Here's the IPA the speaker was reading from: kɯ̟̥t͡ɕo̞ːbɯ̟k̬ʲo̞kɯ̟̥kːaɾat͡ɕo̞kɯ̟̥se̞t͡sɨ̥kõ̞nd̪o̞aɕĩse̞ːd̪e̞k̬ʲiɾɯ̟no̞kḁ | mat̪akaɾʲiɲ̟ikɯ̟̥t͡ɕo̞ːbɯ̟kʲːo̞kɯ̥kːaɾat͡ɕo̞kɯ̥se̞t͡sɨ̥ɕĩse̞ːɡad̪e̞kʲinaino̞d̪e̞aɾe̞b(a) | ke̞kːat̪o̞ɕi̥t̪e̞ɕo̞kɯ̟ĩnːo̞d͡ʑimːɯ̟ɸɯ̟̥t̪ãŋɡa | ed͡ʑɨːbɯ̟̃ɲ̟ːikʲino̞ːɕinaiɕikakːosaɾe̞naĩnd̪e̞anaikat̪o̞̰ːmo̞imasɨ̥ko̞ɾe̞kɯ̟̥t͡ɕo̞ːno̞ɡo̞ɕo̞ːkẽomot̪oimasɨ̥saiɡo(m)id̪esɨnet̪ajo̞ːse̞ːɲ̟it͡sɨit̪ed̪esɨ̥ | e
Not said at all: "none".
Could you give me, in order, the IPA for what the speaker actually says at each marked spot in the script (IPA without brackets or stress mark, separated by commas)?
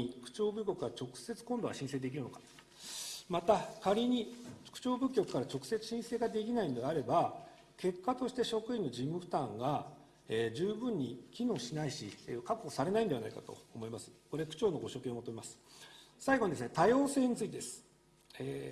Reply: a, ɲ